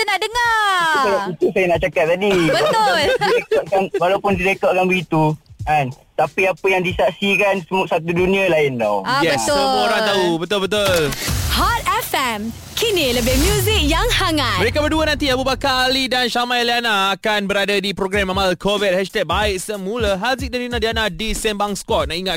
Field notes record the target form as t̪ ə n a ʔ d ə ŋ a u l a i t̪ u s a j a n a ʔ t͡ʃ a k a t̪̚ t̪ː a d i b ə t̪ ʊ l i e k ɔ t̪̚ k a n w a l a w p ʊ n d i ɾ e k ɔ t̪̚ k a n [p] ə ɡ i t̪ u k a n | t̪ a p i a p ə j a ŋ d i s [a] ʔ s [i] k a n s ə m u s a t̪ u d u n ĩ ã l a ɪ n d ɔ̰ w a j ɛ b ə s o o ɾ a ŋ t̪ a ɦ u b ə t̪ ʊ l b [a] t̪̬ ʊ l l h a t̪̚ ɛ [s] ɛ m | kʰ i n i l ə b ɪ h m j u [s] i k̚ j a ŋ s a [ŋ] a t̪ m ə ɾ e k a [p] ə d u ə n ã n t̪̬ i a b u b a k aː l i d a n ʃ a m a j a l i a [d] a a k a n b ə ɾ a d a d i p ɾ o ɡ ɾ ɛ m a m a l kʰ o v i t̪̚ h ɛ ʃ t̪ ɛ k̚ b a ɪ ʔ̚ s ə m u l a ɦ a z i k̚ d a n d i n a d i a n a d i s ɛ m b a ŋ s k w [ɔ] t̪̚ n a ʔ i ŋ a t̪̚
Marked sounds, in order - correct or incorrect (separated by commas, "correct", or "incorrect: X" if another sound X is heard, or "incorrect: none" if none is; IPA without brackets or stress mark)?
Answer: incorrect: b, correct, correct, incorrect: ə, incorrect: f, incorrect: z, correct, incorrect: b, incorrect: n, correct